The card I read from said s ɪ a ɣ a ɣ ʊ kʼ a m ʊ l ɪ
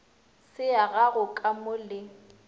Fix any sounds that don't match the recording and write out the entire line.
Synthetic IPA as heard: s ɪ a ɣ a ɣ ʊ kʼ a m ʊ l ɪ